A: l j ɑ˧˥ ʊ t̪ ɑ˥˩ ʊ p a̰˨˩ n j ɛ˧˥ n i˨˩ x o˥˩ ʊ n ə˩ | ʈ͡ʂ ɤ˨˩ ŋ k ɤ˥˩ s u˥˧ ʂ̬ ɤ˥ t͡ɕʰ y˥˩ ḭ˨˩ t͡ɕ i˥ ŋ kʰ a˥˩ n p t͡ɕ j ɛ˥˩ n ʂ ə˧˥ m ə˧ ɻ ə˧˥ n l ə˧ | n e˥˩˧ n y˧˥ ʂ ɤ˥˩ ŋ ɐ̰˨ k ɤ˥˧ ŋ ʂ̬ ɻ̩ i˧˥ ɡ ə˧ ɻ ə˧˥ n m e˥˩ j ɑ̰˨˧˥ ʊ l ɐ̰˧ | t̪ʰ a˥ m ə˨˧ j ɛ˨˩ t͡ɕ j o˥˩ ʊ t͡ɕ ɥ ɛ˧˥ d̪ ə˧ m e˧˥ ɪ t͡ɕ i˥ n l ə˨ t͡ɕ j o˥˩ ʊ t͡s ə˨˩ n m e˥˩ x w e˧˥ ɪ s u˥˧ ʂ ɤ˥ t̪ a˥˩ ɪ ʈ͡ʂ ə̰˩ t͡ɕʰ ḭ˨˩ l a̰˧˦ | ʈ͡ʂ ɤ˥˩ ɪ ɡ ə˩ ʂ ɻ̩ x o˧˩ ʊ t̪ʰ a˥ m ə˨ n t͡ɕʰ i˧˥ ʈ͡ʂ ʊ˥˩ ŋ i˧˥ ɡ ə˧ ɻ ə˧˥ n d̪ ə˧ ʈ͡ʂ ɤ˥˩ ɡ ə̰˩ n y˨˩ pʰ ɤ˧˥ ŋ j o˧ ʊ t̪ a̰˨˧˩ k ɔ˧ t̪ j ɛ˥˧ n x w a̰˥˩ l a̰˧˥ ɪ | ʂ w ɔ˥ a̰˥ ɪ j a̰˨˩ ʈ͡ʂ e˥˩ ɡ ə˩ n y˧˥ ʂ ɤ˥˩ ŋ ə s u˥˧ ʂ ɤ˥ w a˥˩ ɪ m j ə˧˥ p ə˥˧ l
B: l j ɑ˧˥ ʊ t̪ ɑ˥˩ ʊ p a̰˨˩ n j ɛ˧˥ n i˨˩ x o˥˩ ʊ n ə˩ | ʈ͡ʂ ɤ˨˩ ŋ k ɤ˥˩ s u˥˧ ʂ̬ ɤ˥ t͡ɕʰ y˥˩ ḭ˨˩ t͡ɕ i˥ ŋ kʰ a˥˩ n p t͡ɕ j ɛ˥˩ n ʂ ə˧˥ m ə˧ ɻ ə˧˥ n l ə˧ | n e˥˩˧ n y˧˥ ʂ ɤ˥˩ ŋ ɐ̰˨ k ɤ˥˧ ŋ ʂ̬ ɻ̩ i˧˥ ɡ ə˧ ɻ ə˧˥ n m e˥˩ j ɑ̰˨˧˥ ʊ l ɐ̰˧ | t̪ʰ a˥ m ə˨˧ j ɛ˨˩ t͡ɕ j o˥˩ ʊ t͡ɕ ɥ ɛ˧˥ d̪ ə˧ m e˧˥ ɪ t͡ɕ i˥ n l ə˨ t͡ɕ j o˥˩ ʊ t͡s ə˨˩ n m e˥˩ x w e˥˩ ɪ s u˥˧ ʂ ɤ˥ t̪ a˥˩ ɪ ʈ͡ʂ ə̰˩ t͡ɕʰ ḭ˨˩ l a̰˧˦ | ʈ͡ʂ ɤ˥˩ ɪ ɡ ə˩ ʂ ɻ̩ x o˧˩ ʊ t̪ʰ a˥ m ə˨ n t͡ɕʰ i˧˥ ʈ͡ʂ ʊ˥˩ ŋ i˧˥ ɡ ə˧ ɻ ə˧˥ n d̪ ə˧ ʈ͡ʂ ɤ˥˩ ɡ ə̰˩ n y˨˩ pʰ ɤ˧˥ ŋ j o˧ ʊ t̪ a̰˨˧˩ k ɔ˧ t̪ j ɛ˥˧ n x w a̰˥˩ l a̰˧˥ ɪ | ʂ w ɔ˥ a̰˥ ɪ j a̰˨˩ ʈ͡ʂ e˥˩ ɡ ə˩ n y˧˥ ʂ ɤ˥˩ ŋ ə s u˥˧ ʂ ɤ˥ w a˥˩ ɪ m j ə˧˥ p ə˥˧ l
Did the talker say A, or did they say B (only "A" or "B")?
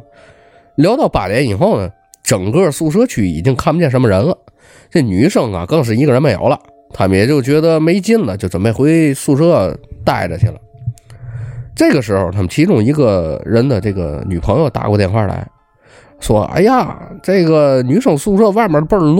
A